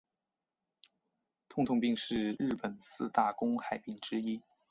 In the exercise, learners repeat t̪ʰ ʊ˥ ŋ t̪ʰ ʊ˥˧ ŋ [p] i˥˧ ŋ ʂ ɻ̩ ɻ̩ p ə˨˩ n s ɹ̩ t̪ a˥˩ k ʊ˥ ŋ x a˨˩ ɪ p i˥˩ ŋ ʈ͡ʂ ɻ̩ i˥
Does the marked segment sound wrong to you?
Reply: no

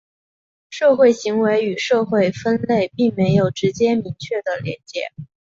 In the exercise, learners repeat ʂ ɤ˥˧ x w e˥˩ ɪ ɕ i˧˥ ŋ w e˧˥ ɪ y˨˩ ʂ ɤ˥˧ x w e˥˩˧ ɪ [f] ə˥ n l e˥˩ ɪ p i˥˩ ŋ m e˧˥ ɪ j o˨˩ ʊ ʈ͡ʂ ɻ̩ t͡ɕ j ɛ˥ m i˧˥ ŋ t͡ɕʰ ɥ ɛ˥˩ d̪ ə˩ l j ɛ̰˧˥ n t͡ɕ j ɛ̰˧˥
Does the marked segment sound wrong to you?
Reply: no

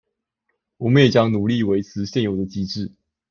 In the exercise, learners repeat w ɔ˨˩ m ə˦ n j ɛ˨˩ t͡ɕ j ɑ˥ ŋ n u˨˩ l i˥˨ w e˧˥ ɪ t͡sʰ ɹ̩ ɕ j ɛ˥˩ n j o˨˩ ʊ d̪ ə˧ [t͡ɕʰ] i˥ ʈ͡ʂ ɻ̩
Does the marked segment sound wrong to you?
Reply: yes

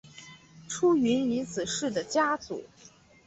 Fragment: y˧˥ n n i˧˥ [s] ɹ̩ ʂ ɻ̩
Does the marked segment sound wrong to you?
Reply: yes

